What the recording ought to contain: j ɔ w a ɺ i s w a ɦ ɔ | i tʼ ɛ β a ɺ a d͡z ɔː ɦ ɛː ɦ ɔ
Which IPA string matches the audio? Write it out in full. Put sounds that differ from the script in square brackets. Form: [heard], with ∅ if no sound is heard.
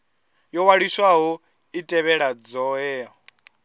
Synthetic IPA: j ɔ w a ɺ i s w a ɦ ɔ | i tʼ ɛ β [ɛ] ɺ a d͡z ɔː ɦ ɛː ɦ ɔ